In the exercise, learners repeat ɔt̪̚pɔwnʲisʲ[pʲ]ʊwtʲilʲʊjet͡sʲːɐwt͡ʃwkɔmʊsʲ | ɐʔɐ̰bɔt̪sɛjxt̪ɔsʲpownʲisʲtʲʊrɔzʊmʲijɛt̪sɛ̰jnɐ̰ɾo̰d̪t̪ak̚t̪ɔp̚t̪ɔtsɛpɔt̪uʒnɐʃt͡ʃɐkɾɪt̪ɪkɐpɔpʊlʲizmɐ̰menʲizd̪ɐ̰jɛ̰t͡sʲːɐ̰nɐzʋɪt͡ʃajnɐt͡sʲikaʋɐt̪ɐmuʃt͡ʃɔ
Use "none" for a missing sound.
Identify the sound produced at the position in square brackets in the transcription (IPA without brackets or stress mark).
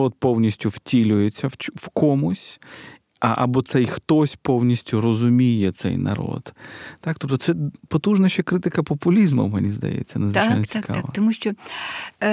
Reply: tʲ